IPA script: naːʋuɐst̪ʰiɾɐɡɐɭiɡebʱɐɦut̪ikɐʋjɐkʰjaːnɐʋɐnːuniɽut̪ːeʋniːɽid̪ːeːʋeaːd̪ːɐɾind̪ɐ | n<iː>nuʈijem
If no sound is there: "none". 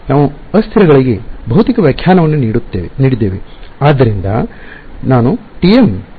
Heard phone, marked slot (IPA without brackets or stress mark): aː